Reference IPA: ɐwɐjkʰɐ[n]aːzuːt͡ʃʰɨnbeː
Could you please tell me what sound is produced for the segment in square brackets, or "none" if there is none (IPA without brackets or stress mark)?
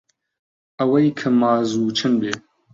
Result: m